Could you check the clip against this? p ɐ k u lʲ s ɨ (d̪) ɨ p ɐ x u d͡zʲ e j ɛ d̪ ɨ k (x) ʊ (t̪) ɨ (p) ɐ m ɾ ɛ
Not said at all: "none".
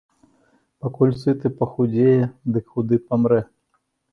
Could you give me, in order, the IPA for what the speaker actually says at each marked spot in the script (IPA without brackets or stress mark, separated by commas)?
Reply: t̪, x, d̪, p